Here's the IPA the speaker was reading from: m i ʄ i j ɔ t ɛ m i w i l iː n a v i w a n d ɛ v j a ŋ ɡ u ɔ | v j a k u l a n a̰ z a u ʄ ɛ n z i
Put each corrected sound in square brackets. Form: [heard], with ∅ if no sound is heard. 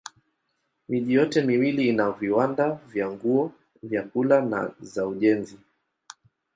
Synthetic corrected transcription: m i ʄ i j ɔ t ɛ m i w i l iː n a v i w a n d [a] v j a ŋ ɡ u ɔ | v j a k u l a n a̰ z a u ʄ ɛ n z i